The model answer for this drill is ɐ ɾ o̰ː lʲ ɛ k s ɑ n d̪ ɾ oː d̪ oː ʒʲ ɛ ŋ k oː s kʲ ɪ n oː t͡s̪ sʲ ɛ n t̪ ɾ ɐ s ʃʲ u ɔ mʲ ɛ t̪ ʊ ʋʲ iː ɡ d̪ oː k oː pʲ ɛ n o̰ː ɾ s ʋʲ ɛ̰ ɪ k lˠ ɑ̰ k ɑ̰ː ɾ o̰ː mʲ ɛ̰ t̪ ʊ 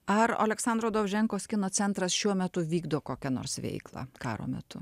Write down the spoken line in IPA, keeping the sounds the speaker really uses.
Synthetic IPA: ɐ ɾ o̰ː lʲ ɛ k s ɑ n d̪ ɾ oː d̪ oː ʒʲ ɛ ŋ k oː s kʲ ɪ n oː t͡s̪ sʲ ɛ n t̪ ɾ ɐ s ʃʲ u ɔ mʲ ɛ t̪ ʊ ʋʲ iː ɡ d̪ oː k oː kʲ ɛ n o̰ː ɾ s ʋʲ ɛ̰ ɪ k lˠ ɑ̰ k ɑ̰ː ɾ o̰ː mʲ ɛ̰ t̪ ʊ